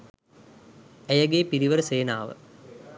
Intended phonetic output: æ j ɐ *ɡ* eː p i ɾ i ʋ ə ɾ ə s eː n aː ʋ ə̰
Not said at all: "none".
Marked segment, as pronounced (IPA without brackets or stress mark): ɡ